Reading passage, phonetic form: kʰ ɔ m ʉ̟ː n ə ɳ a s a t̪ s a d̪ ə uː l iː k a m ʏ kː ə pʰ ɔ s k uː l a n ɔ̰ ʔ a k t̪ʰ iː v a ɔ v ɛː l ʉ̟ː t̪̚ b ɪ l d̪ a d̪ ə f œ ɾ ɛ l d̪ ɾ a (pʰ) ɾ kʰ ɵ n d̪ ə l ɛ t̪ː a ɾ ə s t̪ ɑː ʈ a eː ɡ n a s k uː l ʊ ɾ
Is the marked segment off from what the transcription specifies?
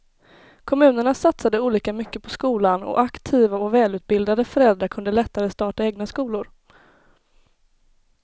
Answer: yes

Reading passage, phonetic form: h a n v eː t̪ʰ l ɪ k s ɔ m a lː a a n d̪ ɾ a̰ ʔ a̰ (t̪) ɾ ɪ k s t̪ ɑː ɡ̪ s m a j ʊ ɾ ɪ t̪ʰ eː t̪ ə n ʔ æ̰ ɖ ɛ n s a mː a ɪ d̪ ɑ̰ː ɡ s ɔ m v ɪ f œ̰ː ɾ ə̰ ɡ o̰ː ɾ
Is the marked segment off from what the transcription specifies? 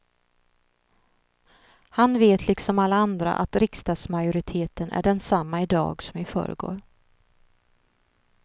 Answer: no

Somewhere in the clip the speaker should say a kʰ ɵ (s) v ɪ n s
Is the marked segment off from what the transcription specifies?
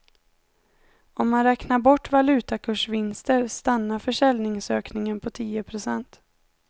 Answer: yes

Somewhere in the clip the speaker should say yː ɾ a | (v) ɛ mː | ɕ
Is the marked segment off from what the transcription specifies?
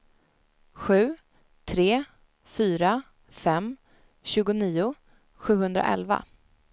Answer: yes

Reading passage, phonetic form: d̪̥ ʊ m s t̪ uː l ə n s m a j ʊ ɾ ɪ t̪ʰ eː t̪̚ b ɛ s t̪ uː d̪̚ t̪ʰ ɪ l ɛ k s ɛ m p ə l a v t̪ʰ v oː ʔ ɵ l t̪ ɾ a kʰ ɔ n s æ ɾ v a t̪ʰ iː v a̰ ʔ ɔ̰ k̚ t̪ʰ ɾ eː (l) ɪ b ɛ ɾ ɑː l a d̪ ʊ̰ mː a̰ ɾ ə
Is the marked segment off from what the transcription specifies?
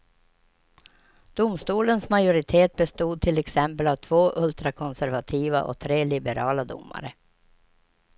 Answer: no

